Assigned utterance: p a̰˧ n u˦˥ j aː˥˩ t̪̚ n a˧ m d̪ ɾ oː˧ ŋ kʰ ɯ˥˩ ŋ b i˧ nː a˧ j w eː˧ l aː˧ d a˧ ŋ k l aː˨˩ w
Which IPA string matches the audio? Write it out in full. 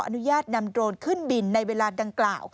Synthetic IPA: ʔ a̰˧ n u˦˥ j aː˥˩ t̪̚ n a˧ m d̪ ɾ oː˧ n kʰ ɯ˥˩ n b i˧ nː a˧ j w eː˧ l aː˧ d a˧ ŋ k l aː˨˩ w